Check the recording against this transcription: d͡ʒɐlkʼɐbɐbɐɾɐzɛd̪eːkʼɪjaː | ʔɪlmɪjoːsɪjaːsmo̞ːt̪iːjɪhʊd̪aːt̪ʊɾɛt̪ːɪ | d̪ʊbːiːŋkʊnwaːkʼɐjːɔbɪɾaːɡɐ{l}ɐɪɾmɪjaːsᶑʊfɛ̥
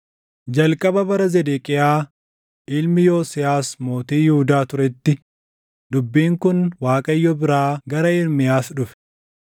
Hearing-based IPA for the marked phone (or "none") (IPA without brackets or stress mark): ɾ